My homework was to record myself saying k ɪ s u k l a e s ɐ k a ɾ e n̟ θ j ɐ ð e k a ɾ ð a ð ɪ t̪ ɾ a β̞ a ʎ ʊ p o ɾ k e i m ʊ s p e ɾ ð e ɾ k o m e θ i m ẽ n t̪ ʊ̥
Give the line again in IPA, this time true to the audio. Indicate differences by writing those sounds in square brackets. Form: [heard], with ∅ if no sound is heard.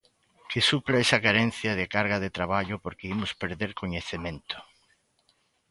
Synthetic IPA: k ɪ s u [p] l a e s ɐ k a ɾ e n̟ θ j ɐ ð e k a ɾ [ɣ] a ð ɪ t̪ ɾ a β̞ a ʎ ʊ p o ɾ k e i m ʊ s p e ɾ ð e ɾ k o [ɲ] e θ [e] m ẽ n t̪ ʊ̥